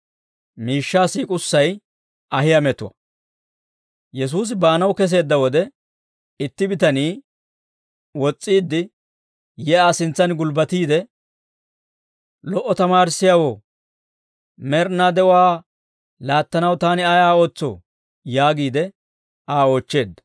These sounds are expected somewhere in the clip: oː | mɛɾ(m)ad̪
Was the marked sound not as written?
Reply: yes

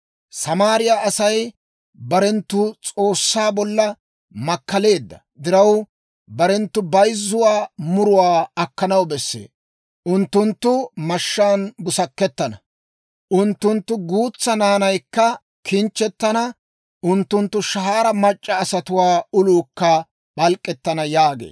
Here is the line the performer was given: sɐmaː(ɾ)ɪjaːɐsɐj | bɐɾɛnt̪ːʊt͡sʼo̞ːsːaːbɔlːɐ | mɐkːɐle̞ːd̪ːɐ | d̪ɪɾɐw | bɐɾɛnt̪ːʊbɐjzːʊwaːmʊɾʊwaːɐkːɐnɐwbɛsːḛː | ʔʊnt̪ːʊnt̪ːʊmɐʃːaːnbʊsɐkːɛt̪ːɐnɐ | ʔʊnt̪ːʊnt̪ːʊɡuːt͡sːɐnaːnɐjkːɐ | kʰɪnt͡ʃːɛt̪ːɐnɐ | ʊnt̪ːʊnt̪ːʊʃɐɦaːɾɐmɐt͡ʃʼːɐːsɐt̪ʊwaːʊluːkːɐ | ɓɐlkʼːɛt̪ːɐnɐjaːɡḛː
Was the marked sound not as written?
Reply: no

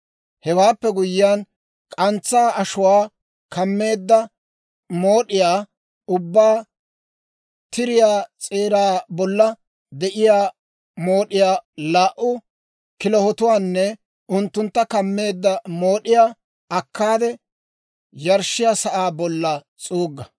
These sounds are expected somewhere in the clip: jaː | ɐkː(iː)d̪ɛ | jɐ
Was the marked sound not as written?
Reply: yes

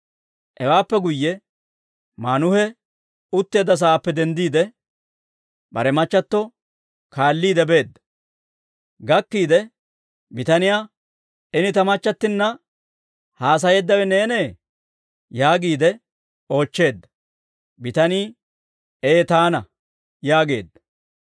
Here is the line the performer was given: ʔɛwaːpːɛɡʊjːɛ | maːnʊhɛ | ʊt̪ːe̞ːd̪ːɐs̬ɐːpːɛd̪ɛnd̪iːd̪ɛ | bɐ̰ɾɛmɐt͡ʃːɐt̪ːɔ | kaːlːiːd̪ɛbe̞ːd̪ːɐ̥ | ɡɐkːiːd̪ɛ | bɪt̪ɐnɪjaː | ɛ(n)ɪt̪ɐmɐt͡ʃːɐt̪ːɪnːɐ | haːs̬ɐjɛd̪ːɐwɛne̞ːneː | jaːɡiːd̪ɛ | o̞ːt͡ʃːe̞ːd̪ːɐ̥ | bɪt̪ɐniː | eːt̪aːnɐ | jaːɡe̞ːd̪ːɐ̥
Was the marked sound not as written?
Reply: no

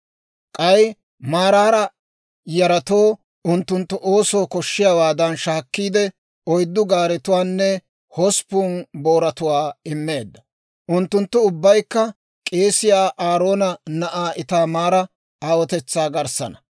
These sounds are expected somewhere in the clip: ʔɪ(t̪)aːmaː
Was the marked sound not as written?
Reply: no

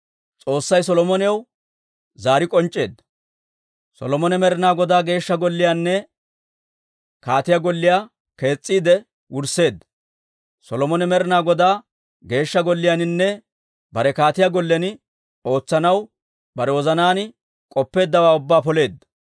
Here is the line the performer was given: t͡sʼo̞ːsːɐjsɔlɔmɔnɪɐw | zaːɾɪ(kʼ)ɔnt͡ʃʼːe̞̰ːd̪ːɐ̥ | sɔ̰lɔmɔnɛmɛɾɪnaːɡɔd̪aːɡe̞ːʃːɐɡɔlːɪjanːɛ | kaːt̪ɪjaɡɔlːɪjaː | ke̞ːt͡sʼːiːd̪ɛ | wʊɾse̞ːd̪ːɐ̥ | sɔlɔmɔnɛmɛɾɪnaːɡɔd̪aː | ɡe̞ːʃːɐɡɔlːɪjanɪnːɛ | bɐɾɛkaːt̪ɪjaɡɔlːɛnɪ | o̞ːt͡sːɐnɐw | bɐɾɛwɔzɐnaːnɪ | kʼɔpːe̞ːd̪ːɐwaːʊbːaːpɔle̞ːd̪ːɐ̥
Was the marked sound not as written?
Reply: no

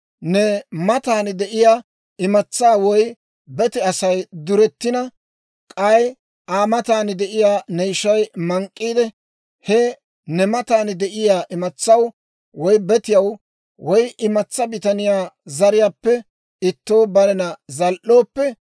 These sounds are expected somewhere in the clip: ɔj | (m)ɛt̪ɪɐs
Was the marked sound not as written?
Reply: yes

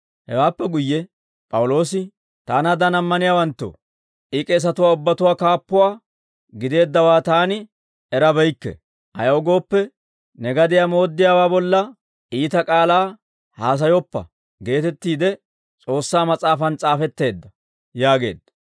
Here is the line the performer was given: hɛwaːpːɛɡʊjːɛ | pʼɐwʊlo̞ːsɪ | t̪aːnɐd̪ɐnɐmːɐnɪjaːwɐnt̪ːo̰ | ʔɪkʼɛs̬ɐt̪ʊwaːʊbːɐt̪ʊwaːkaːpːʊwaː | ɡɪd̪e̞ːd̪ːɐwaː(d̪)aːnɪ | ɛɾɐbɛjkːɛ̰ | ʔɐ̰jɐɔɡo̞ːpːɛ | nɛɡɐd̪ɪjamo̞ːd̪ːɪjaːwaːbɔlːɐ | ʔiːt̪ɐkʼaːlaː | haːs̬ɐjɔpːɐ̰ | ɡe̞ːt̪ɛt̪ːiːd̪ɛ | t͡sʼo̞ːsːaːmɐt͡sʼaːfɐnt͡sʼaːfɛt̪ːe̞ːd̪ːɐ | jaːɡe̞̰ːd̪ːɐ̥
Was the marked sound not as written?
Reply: yes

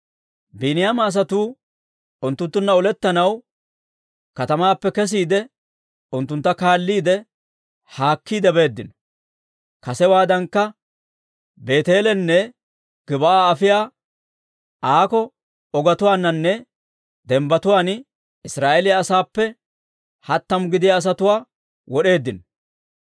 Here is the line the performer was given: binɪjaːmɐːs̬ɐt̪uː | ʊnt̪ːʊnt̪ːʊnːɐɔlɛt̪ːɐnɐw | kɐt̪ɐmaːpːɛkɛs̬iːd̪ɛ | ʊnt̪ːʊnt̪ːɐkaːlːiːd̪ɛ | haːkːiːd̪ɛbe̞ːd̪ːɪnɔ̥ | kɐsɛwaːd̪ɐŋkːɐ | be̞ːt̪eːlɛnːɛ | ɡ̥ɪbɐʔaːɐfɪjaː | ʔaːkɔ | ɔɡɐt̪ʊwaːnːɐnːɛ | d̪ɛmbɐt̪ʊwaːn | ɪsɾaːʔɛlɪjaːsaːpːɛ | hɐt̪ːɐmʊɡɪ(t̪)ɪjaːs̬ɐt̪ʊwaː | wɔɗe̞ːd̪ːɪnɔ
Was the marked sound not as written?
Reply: yes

